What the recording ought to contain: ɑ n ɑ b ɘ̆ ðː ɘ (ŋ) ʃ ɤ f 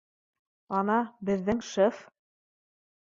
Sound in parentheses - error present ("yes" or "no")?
no